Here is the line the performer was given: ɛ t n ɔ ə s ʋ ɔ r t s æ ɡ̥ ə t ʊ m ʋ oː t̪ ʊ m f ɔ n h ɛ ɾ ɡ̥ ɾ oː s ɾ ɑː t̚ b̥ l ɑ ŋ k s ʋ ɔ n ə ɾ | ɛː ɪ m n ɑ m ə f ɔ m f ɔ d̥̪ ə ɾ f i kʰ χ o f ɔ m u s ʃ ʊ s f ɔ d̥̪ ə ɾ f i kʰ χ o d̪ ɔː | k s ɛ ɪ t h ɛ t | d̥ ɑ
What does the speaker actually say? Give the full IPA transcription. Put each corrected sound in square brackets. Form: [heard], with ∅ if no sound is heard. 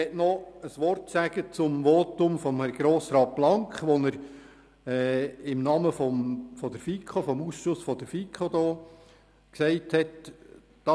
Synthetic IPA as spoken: ɛ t n ɔ ə s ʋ ɔ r t s æ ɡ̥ ə [t͡s] ʊ m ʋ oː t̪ ʊ m f ɔ [m] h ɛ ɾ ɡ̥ ɾ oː s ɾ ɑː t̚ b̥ l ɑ ŋ k [χ] ʋ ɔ n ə ɾ | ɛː ɪ m n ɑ m ə f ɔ m f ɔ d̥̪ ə ɾ f i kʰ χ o f ɔ m u s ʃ ʊ s f ɔ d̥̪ ə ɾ f i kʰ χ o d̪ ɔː | k s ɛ ɪ t h ɛ t | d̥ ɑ